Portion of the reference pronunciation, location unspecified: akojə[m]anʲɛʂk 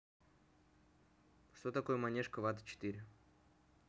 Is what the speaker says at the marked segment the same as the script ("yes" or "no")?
yes